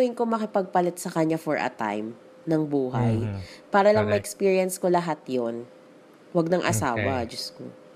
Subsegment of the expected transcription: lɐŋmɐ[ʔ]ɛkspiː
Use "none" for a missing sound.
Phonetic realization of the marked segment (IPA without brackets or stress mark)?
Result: ʔ